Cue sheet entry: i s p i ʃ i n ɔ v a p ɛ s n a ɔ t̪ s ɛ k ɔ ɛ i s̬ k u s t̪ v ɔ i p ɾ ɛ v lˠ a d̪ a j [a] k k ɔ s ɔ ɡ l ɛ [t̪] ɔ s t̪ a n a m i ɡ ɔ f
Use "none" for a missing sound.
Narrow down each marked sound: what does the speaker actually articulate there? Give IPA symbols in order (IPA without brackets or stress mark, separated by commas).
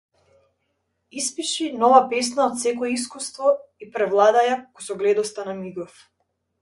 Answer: a, d̪